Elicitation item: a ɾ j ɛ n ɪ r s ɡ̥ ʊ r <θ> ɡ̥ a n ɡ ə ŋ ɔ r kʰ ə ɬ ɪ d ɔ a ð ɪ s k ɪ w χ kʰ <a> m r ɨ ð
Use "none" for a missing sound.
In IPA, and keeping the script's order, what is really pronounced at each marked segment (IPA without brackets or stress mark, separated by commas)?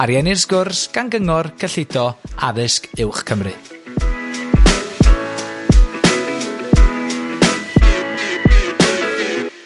s, ə